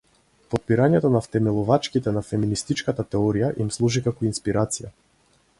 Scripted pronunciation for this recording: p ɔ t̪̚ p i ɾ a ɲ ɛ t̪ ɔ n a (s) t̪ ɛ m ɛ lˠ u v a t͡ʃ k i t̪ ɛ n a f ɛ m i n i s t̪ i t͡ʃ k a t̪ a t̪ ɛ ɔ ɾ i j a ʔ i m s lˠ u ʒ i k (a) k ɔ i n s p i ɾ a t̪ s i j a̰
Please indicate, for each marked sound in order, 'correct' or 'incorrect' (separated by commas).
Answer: incorrect, correct